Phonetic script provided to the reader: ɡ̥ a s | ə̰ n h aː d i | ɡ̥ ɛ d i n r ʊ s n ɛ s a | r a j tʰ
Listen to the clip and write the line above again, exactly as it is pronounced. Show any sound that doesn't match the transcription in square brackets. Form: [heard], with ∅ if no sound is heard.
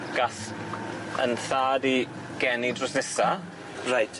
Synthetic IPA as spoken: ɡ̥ a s | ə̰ n [θ] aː d i | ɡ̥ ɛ [n] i [d] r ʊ s n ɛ s a | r a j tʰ